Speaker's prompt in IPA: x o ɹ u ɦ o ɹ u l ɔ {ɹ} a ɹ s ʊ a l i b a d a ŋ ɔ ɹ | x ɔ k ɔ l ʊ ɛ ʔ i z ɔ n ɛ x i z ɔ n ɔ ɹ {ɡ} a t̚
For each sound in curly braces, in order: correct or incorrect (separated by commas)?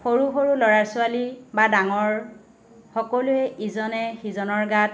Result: correct, correct